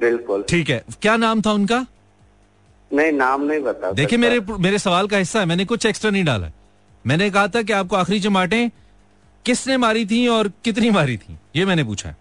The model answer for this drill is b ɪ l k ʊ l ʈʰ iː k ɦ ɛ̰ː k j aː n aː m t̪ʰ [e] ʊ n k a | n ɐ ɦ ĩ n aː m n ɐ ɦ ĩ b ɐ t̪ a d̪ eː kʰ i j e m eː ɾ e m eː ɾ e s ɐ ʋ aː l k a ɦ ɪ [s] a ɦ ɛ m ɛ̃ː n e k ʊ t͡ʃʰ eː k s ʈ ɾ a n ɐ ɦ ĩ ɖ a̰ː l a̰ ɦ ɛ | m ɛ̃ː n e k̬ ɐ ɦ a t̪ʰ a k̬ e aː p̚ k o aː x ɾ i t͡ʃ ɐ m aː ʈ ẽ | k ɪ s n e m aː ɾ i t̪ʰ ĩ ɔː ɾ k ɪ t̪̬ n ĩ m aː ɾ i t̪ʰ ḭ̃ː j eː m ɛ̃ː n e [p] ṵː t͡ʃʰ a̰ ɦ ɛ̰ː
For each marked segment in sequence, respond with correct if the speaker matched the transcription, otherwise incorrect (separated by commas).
incorrect, incorrect, correct